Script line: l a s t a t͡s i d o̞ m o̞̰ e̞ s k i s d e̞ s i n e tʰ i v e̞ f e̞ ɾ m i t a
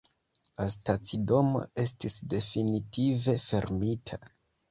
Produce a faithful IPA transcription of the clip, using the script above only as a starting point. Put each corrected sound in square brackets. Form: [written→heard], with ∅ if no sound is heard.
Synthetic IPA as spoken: l a s t a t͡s i d o̞ m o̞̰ e̞ s [k→t] i s d e̞ [s→f] i n [e→i] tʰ i v e̞ f e̞ ɾ m i [t→tʰ] a